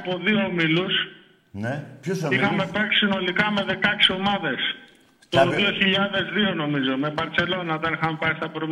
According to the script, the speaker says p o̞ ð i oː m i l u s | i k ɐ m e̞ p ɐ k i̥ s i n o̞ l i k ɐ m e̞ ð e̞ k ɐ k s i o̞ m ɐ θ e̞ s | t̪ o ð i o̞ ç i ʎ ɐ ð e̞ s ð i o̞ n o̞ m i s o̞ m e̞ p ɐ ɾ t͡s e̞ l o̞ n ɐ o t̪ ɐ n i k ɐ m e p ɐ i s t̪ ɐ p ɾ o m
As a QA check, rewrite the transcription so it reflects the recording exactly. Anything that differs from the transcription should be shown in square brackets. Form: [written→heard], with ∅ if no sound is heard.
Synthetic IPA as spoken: p o̞ ð i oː m i l u s | i [k→x] ɐ m e̞ p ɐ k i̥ s i n o̞ l i k ɐ m e̞ ð e̞ k ɐ k s i o̞ m ɐ [θ→ð] e̞ s | t̪ o ð i o̞ ç i ʎ ɐ ð e̞ [s→z] ð i o̞ n o̞ m i [s→z] o̞ m e̞ [p→b] ɐ ɾ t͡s e̞ l o̞ n ɐ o t̪ ɐ n i [k→x] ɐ m e p ɐ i s t̪ ɐ p ɾ o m